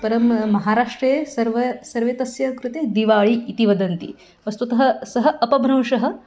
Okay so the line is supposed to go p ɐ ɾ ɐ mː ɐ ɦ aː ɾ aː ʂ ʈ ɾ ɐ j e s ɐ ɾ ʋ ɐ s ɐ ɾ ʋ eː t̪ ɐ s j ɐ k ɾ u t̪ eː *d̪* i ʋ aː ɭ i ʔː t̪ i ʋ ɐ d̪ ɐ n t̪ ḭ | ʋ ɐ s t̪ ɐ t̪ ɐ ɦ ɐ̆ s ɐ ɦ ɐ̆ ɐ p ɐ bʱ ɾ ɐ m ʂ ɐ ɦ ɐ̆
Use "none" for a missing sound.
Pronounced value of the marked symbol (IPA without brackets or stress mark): d̪